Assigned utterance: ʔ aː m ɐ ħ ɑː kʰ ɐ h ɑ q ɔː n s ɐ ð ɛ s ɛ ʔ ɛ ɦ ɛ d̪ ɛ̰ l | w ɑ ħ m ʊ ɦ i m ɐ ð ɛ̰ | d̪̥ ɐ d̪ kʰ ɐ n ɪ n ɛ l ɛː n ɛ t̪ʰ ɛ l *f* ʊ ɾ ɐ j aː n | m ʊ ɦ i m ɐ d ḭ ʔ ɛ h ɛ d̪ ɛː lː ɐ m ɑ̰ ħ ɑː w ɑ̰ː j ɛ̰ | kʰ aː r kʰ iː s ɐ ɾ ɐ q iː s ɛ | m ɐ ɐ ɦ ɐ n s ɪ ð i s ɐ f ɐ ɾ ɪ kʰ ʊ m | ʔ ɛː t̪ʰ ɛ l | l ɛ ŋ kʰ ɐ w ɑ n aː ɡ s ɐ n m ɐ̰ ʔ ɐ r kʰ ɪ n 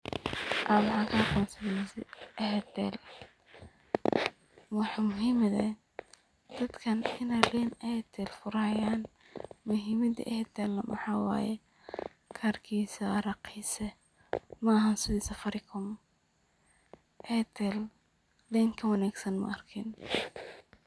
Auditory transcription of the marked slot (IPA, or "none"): f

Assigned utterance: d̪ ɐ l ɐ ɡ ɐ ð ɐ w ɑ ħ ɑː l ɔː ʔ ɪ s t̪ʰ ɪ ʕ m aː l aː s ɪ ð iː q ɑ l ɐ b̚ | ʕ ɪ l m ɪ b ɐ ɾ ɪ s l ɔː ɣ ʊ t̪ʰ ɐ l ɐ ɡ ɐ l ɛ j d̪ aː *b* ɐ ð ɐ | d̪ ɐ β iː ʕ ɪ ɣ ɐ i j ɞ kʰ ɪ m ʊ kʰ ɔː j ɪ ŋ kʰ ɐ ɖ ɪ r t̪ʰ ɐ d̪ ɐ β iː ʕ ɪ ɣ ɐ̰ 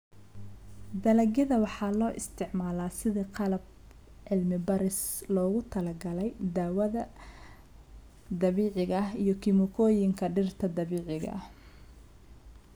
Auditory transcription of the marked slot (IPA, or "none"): w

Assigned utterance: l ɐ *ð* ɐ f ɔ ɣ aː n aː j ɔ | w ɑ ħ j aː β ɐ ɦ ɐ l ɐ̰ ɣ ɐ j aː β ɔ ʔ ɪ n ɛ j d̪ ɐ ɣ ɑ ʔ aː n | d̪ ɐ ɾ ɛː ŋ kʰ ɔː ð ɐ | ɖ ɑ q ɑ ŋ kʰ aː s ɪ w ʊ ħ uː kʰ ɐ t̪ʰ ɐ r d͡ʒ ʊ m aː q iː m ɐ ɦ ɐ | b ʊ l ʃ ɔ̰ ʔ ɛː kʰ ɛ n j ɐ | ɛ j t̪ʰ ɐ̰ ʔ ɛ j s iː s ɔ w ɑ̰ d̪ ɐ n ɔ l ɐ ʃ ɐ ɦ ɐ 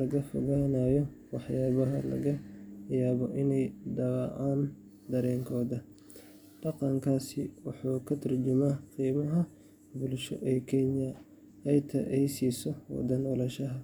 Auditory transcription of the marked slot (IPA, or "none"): ɣ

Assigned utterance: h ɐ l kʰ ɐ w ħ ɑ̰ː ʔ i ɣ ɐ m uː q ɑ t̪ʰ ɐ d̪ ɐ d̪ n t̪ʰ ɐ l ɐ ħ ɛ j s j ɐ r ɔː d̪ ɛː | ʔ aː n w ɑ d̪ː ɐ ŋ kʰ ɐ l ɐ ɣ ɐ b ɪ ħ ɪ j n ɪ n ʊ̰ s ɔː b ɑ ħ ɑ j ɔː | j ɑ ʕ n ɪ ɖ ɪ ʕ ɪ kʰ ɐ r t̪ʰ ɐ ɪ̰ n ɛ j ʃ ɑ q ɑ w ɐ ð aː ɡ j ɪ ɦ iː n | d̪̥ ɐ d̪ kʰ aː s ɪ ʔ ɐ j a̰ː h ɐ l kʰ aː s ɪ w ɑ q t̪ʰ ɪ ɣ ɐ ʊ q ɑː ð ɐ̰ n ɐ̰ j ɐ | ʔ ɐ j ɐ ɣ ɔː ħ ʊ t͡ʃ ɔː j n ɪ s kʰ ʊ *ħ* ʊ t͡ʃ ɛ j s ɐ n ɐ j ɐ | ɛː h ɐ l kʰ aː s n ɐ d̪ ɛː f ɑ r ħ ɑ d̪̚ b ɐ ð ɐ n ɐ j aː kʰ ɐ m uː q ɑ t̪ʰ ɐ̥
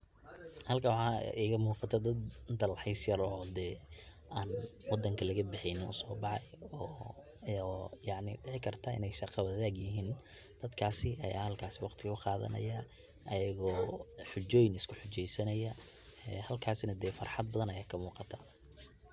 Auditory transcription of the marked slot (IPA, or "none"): ħ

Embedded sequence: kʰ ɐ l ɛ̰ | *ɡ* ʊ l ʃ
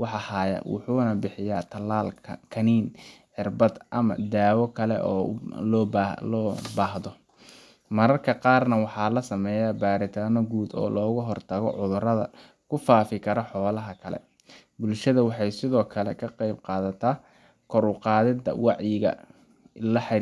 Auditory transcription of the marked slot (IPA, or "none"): b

